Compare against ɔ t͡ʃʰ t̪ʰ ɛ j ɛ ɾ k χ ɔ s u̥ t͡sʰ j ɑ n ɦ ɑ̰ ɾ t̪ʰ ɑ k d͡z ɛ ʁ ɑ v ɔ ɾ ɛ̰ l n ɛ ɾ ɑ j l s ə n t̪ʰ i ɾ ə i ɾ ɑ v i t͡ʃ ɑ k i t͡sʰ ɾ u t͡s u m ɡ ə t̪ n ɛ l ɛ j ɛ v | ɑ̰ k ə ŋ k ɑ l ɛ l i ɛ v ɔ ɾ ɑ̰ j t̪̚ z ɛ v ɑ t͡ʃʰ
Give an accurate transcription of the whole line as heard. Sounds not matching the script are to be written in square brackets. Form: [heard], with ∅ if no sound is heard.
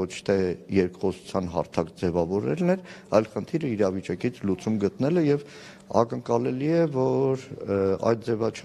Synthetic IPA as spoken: ɔ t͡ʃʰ t̪ʰ ɛ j ɛ ɾ k χ ɔ s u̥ t͡sʰ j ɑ n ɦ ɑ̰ ɾ t̪ʰ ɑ k d͡z ɛ [v] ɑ v ɔ ɾ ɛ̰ l n ɛ ɾ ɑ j l [χ] ə n t̪ʰ i ɾ ə i ɾ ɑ v i t͡ʃ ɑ k i t͡sʰ [l] u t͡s u m ɡ ə t̪ n ɛ l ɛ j ɛ v | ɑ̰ k ə ŋ k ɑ l ɛ l i ɛ v ɔ ɾ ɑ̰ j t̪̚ [d͡z] ɛ v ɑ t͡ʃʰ